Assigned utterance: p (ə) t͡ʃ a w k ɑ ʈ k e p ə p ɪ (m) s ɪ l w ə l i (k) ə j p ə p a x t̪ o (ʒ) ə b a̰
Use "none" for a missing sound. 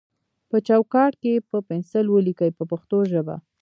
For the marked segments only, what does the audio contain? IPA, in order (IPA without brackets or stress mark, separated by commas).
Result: ə, n, k, ʒ